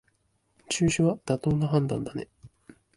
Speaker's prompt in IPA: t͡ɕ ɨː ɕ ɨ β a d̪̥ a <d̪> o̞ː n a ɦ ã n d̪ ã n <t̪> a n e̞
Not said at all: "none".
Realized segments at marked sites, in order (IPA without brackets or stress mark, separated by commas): t̪, d̪